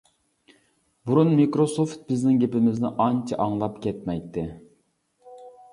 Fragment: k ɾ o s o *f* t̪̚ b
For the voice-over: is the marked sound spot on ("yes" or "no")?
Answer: yes